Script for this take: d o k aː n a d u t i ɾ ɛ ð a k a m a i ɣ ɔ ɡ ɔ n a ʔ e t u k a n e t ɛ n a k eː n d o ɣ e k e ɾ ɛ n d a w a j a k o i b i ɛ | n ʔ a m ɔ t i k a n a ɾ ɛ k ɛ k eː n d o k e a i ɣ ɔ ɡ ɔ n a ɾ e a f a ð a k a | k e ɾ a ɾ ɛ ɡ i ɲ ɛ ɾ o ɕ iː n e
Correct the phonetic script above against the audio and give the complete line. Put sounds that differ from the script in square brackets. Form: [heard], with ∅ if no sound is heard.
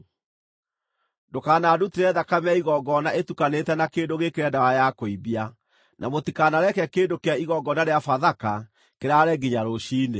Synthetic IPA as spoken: d o k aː n a d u t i ɾ ɛ ð a k a m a i ɣ ɔ ɡ ɔ n a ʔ e t u k a n e t ɛ n a k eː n d o ɣ e k e ɾ ɛ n d a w a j a k o i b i [a] | n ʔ a m [o] t i k a n a ɾ ɛ k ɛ k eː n d o k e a i ɣ ɔ ɡ ɔ n a ɾ e a f a ð a k a | k e ɾ a ɾ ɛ ɡ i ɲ [a] ɾ o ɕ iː n e